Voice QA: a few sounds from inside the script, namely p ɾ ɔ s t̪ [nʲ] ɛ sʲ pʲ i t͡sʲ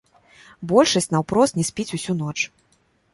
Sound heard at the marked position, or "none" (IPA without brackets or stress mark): nʲ